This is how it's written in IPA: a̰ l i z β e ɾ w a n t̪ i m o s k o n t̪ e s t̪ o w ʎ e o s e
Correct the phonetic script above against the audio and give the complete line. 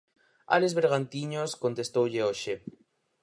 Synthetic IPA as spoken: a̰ l e z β e ɾ ɣ a n t̪ i ɲ o s k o n t̪ e s t̪ o w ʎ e o ʃ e